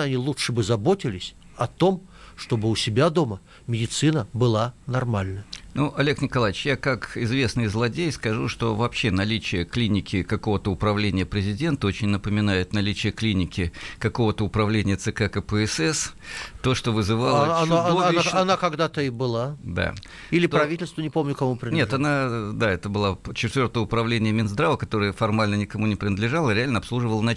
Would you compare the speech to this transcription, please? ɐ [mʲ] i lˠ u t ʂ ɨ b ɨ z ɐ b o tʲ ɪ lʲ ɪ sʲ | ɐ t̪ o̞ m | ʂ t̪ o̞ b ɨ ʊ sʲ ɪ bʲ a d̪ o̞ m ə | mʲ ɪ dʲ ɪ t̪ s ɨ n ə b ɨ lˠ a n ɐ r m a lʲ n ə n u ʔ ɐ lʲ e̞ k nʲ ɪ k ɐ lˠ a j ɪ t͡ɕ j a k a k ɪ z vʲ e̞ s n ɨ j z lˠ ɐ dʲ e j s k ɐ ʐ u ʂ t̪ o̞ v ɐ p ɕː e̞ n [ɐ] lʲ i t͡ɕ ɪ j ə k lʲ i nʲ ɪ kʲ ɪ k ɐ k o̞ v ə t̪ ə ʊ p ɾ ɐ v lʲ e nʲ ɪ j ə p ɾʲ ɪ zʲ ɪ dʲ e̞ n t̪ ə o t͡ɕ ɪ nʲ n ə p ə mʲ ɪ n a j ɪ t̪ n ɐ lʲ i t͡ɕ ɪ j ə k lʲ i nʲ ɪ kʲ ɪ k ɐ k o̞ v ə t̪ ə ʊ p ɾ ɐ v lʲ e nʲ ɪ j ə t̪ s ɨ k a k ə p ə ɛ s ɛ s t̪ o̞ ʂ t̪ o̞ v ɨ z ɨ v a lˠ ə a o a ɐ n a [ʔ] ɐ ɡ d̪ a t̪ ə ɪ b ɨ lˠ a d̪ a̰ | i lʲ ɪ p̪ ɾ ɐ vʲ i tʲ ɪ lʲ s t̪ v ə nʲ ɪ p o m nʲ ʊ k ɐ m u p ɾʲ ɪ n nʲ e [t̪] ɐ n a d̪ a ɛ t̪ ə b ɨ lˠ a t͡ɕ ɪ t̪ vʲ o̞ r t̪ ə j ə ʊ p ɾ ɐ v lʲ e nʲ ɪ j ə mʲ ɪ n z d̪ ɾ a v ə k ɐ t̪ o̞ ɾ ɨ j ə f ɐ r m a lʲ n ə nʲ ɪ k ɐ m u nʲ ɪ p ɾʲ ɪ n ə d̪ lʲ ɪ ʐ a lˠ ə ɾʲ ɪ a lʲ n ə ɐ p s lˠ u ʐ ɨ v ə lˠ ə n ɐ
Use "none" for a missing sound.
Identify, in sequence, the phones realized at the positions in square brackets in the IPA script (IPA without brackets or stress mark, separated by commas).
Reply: nʲ, ɐ, k, t̪